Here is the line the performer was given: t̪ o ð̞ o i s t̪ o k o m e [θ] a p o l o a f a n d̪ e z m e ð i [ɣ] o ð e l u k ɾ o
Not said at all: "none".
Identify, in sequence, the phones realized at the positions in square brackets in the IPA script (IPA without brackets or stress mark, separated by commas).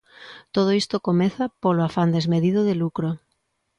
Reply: θ, ð